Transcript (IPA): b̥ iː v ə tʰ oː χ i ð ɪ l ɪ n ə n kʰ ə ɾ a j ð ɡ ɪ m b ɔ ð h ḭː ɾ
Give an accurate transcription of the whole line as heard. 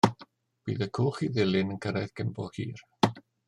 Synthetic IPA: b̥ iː ð ə kʰ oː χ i ð ɪ l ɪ n ə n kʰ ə ɾ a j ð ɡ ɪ m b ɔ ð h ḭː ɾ